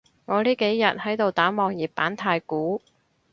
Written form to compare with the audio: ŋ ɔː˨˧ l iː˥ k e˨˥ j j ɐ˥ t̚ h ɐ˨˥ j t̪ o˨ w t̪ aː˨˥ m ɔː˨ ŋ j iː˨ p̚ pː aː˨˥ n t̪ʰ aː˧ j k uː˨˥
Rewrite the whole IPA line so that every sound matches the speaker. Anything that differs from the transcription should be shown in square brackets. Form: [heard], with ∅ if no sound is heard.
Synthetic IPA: ŋ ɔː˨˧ l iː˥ k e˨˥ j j [ɐ˨] t̚ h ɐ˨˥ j t̪ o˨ w t̪ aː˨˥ m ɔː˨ ŋ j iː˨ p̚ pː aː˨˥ n t̪ʰ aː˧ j k uː˨˥